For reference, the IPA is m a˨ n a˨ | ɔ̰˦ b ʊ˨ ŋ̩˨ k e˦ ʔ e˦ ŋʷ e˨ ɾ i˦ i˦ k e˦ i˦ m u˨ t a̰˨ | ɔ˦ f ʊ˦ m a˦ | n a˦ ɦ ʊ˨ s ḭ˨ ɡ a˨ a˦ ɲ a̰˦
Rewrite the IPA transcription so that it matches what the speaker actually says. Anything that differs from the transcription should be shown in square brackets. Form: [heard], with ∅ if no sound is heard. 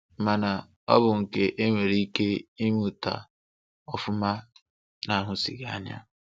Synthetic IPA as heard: m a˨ n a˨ | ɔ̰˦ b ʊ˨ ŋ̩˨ k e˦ ʔ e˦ ŋʷ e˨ ɾ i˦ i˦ k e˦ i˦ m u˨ t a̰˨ | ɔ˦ f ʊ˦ m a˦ | n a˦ ɦ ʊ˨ s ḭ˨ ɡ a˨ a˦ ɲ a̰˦

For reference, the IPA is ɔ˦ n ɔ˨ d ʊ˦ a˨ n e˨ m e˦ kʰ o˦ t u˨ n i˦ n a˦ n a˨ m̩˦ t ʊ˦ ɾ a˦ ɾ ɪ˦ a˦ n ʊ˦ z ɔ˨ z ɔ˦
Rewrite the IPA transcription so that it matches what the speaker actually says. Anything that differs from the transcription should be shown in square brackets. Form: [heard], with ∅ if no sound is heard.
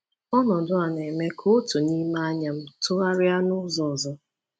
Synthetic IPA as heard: ɔ˦ n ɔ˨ d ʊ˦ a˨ n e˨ m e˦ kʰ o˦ t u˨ n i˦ [m] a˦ [ɲ] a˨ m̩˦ t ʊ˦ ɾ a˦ ɾ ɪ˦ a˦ n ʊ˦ z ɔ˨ z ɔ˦

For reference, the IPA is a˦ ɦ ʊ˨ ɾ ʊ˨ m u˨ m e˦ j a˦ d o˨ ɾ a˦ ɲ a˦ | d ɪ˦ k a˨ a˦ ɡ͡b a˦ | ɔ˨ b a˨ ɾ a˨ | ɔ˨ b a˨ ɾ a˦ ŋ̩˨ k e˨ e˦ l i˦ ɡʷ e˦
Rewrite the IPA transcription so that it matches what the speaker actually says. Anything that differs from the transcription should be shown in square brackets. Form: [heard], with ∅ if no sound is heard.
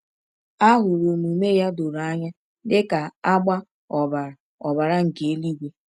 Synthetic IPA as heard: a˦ ɦ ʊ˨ ɾ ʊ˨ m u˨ m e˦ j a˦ d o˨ ɾ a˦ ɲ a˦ | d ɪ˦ k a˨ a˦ ɡ͡b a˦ | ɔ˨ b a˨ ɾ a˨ | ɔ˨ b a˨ ɾ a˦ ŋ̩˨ k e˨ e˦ l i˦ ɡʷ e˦

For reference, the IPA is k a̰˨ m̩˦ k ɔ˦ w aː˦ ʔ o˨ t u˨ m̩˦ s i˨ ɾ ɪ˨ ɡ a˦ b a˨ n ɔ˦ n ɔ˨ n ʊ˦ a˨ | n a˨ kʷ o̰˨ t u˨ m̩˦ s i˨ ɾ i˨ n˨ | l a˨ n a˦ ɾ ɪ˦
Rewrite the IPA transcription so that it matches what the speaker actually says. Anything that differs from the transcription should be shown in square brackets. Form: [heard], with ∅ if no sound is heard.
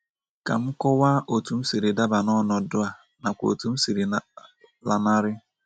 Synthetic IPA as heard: k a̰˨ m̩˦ k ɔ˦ w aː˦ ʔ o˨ t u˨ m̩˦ s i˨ ɾ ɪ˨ [d] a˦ b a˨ n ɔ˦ n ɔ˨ [d] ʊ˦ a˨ | n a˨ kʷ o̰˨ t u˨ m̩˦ s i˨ ɾ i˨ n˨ | l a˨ n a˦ ɾ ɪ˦

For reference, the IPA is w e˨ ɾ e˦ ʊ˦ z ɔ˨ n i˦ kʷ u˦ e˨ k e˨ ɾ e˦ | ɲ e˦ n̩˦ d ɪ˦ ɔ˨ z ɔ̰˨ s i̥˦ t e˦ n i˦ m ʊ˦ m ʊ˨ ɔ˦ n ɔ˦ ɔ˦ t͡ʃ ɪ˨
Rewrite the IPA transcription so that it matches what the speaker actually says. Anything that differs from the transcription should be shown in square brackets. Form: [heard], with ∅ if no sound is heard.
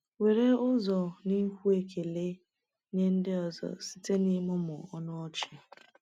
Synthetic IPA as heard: w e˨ ɾ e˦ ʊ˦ z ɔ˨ n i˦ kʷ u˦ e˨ k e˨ [l] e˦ | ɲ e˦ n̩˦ d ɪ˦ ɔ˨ z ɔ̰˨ s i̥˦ t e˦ n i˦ m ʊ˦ m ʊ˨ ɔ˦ n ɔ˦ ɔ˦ t͡ʃ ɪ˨

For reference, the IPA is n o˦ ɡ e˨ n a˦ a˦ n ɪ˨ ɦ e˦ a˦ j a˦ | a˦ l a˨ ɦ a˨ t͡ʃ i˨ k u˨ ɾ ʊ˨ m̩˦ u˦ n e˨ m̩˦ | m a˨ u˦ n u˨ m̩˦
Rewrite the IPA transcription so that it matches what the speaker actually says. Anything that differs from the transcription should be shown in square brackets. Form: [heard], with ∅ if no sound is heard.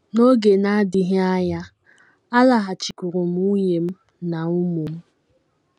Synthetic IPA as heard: n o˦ ɡ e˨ n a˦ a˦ [d] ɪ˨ ɦ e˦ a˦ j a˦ | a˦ l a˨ ɦ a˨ t͡ʃ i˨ k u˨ ɾ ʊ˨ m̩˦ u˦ [ɲ] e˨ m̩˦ | [n] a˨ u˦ [m] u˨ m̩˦

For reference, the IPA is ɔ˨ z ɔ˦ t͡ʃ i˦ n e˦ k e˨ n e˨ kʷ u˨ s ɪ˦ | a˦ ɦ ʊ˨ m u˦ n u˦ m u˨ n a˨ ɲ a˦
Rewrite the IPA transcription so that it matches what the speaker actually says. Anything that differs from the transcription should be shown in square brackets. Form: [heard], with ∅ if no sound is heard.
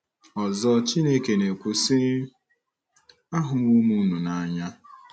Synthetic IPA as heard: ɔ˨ z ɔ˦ t͡ʃ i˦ n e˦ k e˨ n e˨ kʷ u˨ s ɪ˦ | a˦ ɦ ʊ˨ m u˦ [m] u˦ [n] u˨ n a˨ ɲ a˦

